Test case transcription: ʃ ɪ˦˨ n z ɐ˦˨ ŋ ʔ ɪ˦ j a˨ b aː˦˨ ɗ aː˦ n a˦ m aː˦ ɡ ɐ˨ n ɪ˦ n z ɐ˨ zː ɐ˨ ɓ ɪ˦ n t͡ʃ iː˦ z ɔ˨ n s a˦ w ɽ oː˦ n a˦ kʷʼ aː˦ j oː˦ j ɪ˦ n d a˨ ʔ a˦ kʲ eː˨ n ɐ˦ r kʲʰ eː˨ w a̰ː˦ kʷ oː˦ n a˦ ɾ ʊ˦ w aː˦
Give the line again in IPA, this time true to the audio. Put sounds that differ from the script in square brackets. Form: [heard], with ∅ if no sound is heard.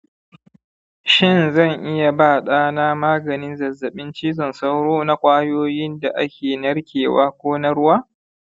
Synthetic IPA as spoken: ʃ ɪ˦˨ n z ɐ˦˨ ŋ ʔ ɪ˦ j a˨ b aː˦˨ ɗ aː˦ n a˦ m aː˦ ɡ ɐ˨ n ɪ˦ n z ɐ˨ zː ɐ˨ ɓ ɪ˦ n t͡ʃ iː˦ z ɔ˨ n s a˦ w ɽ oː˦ n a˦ kʷʼ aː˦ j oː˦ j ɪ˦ n d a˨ ʔ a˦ kʲ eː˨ n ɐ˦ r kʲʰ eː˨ w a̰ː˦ kʷ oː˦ n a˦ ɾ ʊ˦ w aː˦

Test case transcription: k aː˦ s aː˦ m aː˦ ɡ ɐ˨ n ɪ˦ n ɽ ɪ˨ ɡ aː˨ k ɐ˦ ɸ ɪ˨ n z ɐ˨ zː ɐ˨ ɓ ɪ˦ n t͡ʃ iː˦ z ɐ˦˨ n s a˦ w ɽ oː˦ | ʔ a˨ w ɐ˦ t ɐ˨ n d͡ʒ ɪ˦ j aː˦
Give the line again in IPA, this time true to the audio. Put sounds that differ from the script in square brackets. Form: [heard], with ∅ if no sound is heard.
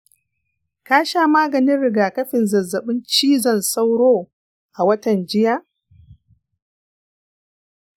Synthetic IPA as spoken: k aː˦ [ʃ] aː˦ m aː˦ ɡ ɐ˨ n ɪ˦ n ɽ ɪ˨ ɡ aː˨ k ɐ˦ ɸ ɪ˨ n z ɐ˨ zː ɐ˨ ɓ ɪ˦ n t͡ʃ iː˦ z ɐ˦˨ n s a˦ w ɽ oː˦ | ʔ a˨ w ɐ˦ t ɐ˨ n d͡ʒ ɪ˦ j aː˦

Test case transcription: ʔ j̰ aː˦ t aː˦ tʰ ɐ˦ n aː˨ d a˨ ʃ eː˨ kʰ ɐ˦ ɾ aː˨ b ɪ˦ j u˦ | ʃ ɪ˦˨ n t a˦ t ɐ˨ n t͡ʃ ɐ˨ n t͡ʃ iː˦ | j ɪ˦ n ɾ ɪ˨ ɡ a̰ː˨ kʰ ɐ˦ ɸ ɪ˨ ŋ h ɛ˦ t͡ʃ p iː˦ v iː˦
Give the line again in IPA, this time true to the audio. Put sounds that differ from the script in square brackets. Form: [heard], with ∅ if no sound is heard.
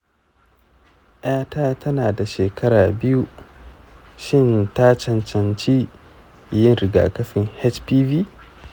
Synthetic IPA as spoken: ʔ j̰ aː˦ t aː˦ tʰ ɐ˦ n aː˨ d a˨ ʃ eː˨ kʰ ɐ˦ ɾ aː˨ b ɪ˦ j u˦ | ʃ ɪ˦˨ n t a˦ [t͡ʃ] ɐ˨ n t͡ʃ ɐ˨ n t͡ʃ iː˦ | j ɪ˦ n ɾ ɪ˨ ɡ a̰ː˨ [k] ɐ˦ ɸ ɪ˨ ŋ h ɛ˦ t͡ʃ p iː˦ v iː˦

